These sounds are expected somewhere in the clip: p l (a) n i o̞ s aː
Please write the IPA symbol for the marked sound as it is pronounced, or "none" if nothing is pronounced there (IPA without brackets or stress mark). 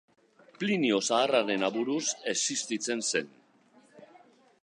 i